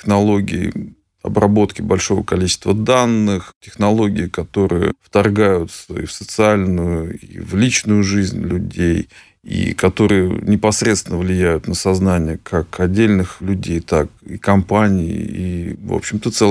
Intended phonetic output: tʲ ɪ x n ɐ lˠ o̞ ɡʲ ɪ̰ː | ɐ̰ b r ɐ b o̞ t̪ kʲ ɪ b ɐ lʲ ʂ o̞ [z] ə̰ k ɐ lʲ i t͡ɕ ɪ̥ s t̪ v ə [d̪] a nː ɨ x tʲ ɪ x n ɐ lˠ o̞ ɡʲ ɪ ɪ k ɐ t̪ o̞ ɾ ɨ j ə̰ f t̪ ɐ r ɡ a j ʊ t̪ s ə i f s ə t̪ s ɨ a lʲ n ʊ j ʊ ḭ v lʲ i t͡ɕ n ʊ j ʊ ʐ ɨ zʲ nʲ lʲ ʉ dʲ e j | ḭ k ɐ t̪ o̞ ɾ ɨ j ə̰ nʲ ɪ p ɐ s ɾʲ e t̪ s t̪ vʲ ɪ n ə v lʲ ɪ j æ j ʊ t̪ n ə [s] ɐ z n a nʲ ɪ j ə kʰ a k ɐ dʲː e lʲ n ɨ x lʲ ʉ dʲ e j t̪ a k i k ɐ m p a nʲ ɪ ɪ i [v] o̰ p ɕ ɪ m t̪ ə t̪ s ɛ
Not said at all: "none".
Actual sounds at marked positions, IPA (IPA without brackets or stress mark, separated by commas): v, d̪, s, v